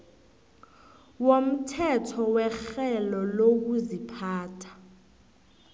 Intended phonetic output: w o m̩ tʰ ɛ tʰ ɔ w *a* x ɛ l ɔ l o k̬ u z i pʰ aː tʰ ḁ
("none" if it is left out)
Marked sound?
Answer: ɛ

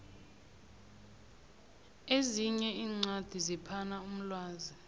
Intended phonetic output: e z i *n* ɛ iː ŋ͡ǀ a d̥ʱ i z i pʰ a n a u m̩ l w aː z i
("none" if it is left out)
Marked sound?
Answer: ɲ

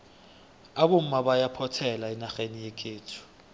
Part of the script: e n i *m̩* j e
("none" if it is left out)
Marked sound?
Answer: none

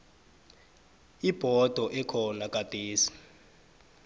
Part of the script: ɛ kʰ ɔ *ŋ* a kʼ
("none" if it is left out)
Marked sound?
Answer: n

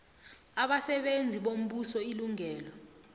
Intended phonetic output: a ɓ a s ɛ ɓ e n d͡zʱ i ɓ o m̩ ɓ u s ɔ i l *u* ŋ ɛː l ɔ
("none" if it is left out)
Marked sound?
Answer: u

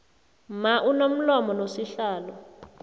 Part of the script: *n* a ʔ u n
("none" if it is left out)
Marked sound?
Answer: m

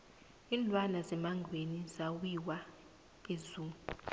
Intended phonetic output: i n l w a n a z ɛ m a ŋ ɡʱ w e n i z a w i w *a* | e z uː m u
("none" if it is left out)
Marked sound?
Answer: a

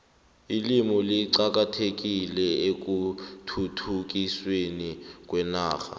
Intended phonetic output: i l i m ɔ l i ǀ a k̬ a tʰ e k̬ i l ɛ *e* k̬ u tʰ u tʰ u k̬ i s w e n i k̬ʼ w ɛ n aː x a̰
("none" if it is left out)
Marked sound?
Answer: e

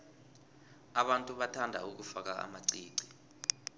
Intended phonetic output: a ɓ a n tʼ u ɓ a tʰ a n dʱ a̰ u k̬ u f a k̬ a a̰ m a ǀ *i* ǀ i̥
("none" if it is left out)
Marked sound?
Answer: iː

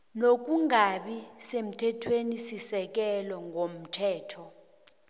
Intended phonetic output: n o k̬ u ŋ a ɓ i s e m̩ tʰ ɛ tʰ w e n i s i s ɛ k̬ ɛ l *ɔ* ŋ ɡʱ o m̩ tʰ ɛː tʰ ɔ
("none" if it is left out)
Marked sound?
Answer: ɔ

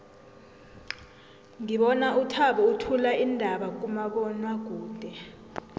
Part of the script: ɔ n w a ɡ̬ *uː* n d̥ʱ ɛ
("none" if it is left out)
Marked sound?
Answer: uː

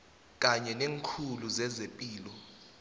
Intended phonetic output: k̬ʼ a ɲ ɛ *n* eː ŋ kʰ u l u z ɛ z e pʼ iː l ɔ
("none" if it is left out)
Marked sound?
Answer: n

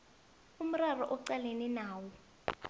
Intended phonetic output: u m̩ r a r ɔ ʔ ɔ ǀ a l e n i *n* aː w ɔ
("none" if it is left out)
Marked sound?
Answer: n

